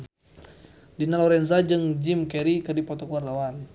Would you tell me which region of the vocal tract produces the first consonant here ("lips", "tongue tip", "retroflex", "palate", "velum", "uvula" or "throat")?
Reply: tongue tip